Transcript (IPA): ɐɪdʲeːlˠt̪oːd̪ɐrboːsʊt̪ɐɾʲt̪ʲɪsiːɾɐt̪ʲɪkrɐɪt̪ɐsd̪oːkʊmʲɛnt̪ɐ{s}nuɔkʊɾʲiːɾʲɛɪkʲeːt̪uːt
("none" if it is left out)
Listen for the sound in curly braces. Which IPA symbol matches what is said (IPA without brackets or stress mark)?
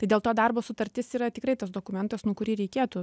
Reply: s